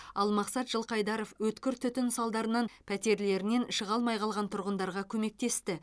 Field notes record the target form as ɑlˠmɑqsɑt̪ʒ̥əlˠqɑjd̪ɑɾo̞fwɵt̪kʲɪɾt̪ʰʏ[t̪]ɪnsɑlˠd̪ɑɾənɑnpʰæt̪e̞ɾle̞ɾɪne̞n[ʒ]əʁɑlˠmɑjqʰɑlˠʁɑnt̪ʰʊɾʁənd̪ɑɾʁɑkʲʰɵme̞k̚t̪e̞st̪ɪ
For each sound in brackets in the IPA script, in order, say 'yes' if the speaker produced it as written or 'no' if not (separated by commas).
yes, no